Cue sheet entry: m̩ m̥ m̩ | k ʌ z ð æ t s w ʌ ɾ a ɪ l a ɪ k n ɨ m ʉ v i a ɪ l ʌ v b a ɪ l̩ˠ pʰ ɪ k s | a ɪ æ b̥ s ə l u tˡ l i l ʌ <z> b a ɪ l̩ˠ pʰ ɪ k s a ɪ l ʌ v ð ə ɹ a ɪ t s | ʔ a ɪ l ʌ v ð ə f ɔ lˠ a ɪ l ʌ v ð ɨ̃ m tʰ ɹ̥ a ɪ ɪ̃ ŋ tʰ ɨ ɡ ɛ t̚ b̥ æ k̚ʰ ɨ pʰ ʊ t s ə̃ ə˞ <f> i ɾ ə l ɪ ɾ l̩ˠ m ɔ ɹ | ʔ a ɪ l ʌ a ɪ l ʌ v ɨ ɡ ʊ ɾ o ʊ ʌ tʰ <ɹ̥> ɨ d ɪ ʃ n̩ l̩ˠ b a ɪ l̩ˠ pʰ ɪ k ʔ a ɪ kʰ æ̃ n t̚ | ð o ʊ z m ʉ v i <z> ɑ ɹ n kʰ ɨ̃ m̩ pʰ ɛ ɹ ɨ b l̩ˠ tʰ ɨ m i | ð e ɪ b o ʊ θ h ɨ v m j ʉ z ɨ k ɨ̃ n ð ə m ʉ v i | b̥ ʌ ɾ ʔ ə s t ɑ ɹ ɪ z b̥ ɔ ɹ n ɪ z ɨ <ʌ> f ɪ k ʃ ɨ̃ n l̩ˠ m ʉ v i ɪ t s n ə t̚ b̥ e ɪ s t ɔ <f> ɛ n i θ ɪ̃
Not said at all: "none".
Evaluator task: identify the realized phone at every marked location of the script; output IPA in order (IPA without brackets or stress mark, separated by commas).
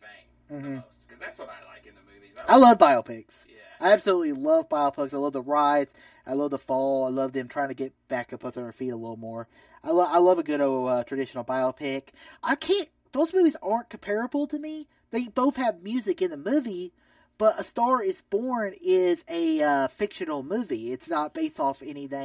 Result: v, f, ɹ̥, z, ʌ, f